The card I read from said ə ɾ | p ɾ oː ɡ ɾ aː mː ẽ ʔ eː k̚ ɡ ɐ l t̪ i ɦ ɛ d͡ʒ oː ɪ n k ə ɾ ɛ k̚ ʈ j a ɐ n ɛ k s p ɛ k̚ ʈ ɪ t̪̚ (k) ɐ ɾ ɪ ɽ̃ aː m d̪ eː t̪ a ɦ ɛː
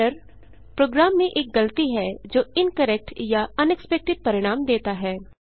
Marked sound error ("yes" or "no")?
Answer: yes